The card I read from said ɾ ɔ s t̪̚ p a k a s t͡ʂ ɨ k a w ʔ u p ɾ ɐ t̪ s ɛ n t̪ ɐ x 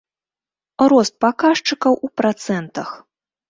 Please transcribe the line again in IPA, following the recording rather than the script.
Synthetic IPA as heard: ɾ ɔ s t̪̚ p a k a ʂ t͡ʂ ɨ k ɐ w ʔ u p ɾ a t̪ s ɛ n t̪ ɐ x